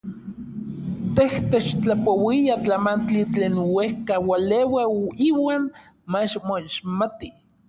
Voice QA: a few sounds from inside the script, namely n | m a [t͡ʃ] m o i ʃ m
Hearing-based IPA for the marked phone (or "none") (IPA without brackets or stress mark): t͡ʃ